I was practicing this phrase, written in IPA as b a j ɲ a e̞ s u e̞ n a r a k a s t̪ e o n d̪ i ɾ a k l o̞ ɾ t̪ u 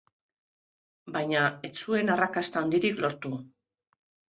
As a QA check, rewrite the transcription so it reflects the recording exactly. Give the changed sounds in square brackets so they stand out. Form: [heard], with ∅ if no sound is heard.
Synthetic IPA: b a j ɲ a e̞ [t͡s] u e̞ n a r a k a s t̪ [a] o n d̪ i ɾ [i] k l o̞ ɾ t̪ u